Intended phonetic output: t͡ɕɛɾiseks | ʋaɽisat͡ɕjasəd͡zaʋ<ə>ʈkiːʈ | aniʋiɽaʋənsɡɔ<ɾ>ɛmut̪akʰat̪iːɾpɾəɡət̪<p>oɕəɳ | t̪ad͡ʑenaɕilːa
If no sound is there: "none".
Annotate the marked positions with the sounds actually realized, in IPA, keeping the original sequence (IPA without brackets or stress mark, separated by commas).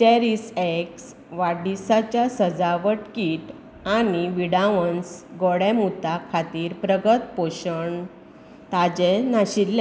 ə, ɽ, p